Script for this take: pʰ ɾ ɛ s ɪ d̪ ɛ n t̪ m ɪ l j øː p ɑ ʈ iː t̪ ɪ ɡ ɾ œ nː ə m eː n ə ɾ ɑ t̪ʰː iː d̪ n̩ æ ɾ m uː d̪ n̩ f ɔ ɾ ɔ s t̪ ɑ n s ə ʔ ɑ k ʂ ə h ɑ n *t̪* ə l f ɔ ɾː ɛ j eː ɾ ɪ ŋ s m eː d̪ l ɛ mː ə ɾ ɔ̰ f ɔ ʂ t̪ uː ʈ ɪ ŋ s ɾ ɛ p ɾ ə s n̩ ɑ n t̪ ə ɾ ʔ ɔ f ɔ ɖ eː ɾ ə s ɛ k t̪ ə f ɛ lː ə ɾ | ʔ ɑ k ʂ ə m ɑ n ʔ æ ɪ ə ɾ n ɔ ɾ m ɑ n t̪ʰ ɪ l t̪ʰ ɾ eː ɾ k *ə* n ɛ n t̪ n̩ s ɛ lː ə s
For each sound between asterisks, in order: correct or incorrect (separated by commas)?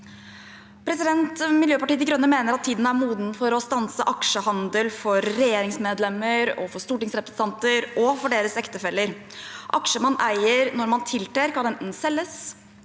incorrect, incorrect